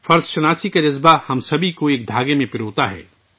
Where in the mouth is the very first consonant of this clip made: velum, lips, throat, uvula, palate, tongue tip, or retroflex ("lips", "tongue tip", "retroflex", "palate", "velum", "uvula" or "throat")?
lips